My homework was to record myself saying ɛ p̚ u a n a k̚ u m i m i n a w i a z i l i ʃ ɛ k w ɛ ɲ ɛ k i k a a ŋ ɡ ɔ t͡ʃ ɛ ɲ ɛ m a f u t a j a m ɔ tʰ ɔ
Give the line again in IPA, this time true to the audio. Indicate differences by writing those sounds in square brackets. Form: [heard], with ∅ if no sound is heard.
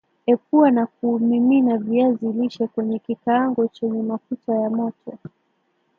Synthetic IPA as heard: ɛ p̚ u a n a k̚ u m i m i n a [v] i a z i l i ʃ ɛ k w ɛ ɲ ɛ k i k a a ŋ ɡ ɔ t͡ʃ ɛ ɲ ɛ m a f u t a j a m ɔ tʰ ɔ

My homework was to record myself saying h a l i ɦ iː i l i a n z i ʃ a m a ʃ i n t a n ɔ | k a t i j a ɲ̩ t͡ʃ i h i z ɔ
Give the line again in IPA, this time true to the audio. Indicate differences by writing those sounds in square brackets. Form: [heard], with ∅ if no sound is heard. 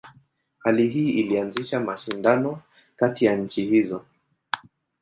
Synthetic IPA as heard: h a l i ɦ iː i l i a n z i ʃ a m a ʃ i n [d] a n ɔ | k a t i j a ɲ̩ t͡ʃ i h i z ɔ

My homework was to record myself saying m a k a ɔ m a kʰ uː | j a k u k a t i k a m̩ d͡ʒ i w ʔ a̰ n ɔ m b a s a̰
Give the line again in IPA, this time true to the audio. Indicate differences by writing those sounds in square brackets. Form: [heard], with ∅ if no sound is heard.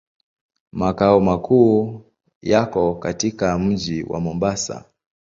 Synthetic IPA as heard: m a k a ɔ m a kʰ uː | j a k [ɔ] k a t i k a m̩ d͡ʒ i w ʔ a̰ [m] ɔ m b a s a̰

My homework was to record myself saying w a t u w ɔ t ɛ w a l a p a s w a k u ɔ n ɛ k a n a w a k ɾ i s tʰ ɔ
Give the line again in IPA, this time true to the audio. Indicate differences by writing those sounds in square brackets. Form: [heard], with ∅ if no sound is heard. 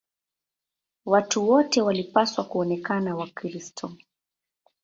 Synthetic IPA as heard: w a t u w ɔ t ɛ w a l [i] p a s w a k u ɔ n ɛ k a n a w a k ɾ i s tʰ ɔ

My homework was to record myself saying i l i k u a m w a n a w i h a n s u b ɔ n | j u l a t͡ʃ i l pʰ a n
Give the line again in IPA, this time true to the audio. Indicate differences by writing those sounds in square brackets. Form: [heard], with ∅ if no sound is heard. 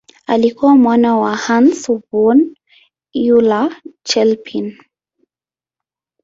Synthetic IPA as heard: [a] l i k u a m w a n a w [a] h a n s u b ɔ n | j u l a t͡ʃ [ɛ] l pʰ [i] n

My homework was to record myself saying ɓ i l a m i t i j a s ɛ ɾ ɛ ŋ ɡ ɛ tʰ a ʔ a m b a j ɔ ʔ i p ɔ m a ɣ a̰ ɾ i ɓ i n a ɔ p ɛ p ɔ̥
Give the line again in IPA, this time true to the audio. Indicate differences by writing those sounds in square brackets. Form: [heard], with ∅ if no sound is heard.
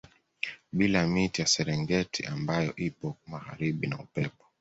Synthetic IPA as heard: ɓ i l a m i t i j a s ɛ ɾ ɛ ŋ ɡ ɛ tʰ [i] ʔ a m b a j ɔ ʔ i p ɔ m a ɣ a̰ ɾ i ɓ i n a [u] p ɛ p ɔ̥

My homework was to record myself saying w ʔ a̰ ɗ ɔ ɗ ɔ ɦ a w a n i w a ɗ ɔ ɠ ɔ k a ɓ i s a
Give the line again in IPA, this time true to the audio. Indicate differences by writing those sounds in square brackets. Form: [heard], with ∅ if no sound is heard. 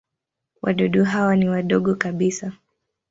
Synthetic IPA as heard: w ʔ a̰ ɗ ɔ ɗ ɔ ɦ a w a n i w a ɗ ɔ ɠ ɔ k a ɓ i s a

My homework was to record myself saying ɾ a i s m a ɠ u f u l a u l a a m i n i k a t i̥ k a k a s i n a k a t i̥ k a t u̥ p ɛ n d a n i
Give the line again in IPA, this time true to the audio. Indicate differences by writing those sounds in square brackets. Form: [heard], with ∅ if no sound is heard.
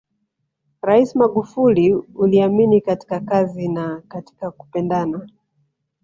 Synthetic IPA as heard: ɾ a i s m a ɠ u f u l [i] u l [i] a m i n i k a t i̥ k a k a [z] i n a k a t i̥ k a [k] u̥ p ɛ n d a n [a]

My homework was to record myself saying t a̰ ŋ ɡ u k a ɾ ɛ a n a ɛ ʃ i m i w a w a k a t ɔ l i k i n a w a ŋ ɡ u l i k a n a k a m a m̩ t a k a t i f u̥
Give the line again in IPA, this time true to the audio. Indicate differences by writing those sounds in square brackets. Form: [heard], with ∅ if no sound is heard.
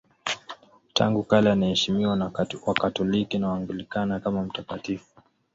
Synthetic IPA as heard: t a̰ ŋ ɡ u k a [l] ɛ a n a ɛ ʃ i m i w a w a k a t ɔ l i k i n a w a ŋ ɡ u l i k a n a k a m a m̩ t a k a t i f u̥

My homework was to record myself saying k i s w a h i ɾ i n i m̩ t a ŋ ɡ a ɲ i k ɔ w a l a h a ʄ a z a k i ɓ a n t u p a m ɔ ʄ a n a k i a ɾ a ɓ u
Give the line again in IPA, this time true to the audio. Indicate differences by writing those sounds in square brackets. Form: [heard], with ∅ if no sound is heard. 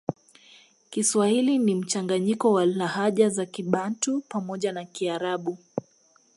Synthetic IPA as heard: k i s w a h i [l] i n i m̩ [t͡ʃ] a ŋ ɡ a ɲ i k ɔ w a l a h a ʄ a z a k i ɓ a n t u p a m ɔ ʄ a n a k i a ɾ a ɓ u

